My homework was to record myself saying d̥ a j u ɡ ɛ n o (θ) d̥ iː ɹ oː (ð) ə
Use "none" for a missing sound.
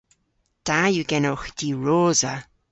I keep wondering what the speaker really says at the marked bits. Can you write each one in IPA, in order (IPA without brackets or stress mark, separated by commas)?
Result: x, z